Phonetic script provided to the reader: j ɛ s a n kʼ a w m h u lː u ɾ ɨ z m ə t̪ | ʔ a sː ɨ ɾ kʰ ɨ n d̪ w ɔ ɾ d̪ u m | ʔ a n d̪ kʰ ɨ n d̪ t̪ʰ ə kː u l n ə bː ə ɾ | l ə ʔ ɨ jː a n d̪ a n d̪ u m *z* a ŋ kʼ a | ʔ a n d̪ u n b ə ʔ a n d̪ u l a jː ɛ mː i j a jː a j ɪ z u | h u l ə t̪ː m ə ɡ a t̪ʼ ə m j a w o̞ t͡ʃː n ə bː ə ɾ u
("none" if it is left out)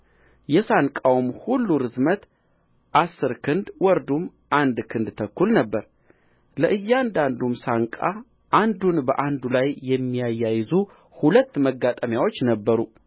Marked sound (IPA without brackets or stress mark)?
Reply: s